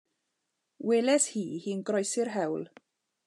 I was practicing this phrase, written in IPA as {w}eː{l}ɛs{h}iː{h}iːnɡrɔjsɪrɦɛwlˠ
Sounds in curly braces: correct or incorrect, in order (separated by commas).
correct, correct, correct, correct